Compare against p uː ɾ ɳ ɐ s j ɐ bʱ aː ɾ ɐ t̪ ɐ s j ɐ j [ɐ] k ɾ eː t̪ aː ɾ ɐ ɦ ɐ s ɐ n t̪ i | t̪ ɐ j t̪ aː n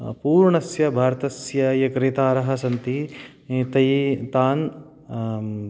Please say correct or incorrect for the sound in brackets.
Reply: correct